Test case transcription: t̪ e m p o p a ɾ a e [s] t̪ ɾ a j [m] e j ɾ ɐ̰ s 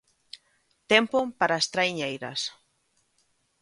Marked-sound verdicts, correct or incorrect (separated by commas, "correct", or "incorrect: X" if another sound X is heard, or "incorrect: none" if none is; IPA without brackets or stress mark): correct, incorrect: ɲ